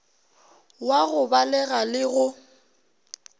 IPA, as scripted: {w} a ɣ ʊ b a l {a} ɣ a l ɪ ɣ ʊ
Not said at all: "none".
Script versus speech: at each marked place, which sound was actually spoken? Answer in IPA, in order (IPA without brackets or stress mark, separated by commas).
w, ɛ